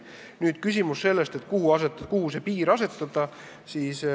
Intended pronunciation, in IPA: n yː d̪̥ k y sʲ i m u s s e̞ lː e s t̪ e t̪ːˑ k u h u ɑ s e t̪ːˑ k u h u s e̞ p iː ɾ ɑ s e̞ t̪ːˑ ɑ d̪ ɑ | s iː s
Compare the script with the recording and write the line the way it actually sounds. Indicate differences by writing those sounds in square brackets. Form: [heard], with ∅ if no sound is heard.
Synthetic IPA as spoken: n yː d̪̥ k y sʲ i m u s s e̞ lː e s t̪ e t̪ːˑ k u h u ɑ s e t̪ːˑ k u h u s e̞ p iː ɾ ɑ s e̞ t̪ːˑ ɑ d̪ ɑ | s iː s